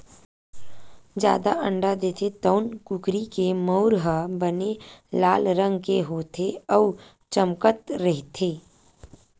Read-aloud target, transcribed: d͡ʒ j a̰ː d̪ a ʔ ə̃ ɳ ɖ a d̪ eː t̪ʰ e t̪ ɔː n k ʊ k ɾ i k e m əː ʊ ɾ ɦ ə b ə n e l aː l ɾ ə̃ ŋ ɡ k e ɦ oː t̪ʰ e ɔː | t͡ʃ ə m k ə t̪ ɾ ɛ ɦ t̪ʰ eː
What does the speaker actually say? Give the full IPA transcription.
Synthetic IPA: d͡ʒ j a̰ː d̪ a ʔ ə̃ ɳ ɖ a d̪ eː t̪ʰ e t̪ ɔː n k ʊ k ɾ i k e m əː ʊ ɾ ɦ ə b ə n e l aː l ɾ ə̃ ŋ ɡ k e ɦ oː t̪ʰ e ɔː | t͡ʃ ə m k ə t̪ ɾ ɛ ɦ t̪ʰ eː